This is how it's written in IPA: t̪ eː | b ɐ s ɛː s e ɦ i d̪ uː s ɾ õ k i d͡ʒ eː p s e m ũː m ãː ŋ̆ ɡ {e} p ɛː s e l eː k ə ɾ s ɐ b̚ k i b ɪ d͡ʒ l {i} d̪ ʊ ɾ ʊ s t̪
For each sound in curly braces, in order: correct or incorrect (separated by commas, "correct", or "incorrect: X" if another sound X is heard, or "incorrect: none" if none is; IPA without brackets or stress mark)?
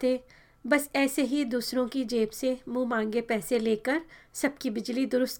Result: correct, correct